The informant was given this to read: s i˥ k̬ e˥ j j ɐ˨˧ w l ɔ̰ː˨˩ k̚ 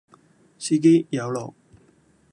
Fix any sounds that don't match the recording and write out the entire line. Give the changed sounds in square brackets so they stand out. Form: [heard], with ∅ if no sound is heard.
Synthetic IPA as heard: s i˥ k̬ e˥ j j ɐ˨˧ w l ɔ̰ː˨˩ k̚

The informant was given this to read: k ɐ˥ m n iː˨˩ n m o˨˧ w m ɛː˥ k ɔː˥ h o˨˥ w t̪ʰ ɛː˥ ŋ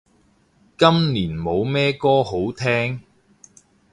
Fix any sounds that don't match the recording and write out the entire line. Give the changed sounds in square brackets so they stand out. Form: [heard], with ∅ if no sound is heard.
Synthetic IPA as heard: k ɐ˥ m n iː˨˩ n m o˨˧ w m ɛː˥ k ɔː˥ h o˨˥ w t̪ʰ ɛː˥ ŋ

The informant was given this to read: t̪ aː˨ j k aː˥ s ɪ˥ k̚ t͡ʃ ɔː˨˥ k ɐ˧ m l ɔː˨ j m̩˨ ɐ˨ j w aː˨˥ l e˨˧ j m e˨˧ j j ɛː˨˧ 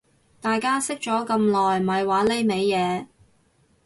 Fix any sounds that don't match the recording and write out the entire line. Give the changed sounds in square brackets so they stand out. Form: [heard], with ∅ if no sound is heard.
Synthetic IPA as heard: t̪ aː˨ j k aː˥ s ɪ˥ k̚ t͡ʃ ɔː˨˥ k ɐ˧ m l ɔː˨ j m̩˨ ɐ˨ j w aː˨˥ l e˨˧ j m e˨˧ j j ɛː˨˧

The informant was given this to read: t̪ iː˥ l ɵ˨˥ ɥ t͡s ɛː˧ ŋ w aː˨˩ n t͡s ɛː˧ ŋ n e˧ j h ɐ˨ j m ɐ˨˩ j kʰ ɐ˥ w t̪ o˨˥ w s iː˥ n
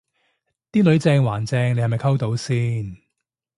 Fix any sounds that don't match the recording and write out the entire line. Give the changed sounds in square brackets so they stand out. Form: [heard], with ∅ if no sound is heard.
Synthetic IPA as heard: t̪ iː˥ l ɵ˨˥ ɥ t͡s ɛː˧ ŋ w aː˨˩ n t͡s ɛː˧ ŋ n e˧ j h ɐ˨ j m ɐ˨˩ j kʰ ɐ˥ w t̪ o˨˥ w s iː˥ n

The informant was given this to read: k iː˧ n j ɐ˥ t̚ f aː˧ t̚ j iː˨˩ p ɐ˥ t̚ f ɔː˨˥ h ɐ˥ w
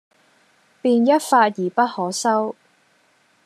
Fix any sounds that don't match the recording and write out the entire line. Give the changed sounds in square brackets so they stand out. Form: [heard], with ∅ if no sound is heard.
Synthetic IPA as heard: [p] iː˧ n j ɐ˥ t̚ f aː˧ t̚ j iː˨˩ p ɐ˥ t̚ [h] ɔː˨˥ [s] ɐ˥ w

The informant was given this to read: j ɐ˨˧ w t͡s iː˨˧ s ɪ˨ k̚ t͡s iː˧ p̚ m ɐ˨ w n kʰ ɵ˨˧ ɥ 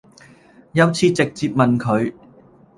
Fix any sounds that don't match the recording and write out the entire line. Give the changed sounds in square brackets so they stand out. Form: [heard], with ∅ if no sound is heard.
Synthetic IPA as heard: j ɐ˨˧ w [t͡sʰ] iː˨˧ [t͡s] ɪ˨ k̚ t͡s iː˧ p̚ m ɐ˨ [∅] n kʰ ɵ˨˧ ɥ

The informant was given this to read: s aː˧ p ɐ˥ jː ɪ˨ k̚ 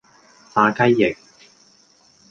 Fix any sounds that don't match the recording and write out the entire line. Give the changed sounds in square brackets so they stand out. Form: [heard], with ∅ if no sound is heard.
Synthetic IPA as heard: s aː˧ [k] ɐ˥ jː ɪ˨ k̚

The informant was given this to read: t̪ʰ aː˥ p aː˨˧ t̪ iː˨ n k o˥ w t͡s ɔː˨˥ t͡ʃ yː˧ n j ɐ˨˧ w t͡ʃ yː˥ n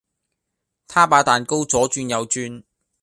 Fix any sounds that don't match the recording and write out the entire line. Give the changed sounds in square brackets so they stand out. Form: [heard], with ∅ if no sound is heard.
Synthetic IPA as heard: t̪ʰ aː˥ p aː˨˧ t̪ [aː˨] n k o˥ w t͡s ɔː˨˥ t͡ʃ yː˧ n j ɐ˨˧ w t͡ʃ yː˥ n

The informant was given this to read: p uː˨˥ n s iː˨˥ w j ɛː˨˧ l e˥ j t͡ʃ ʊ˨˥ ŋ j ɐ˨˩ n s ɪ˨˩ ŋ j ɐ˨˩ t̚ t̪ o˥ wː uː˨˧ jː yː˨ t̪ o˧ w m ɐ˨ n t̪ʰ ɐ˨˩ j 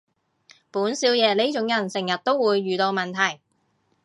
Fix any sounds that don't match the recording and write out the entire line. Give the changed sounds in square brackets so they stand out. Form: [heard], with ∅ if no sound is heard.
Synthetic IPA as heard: p uː˨˥ n s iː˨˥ w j ɛː˨˧ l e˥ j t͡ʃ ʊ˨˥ ŋ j ɐ˨˩ n s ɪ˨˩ ŋ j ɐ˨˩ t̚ t̪ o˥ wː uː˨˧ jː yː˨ t̪ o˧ w m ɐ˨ n t̪ʰ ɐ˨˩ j

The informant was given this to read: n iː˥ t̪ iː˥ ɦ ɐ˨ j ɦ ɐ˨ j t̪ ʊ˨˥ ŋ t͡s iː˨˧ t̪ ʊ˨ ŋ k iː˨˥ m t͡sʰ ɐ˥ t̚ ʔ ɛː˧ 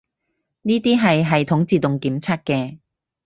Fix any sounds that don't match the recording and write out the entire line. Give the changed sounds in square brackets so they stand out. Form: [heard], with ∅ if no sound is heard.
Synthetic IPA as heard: n iː˥ t̪ iː˥ ɦ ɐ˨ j ɦ ɐ˨ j [t̪ʰ] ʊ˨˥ ŋ t͡s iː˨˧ t̪ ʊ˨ ŋ k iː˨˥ m t͡sʰ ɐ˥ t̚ [k] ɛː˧

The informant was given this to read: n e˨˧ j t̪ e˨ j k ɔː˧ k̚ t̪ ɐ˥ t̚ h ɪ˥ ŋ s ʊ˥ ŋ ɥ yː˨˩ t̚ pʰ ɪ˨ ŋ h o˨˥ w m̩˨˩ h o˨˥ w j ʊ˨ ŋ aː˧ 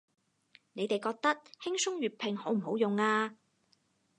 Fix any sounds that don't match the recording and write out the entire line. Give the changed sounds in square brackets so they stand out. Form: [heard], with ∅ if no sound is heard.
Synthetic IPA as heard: n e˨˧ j t̪ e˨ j k ɔː˧ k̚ t̪ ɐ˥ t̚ h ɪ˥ ŋ s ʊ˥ ŋ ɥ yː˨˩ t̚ pʰ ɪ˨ ŋ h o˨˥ w m̩˨˩ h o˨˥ w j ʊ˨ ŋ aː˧

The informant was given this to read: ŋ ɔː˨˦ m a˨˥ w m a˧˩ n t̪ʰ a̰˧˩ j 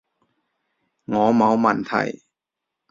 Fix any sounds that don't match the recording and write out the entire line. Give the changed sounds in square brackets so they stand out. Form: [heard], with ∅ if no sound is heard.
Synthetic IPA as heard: ŋ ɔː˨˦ m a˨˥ w m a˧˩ n t̪ʰ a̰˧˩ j

